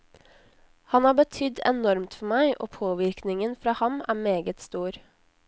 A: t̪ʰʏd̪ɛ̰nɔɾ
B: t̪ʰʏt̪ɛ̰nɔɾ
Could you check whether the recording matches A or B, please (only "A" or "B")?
A